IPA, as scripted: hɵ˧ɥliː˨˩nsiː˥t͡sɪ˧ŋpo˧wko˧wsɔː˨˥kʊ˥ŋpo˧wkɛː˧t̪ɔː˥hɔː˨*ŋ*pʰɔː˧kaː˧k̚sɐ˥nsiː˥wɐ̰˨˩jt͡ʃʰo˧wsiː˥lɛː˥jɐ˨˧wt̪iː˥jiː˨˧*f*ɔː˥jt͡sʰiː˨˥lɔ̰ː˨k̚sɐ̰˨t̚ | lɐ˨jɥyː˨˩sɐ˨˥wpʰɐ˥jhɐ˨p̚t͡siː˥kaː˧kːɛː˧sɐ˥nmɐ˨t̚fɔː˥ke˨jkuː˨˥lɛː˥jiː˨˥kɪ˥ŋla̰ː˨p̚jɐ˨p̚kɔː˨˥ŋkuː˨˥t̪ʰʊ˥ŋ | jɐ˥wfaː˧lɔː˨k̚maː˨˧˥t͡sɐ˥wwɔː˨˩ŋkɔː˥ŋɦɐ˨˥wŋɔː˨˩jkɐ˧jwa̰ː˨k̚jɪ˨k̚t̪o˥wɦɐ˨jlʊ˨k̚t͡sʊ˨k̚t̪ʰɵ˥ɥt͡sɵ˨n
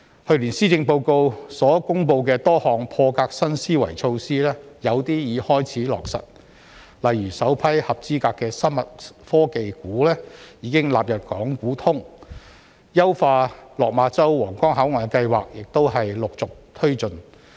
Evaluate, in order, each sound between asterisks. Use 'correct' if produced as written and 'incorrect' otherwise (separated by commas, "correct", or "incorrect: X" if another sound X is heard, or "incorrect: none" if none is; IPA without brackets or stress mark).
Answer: correct, incorrect: h